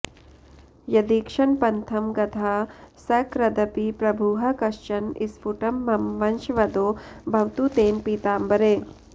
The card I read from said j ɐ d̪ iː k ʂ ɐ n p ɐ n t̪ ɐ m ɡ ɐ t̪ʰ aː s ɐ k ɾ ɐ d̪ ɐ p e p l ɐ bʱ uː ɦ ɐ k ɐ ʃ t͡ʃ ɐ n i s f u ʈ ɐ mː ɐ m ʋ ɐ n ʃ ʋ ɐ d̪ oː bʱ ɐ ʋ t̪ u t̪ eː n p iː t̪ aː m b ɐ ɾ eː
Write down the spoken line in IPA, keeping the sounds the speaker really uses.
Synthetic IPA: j ɐ d̪ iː k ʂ ɐ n p ɐ n t̪ʰ ɐ m ɡ ɐ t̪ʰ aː s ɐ k ɾ ɐ d̪ ɐ p i p ɾ ɐ bʱ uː ɦ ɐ k ɐ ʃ t͡ʃ ɐ n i s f u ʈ ɐ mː ɐ m ʋ ɐ n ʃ ʋ ɐ d̪ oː bʱ ɐ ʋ t̪ u t̪ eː n p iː t̪ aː m b ɐ ɾ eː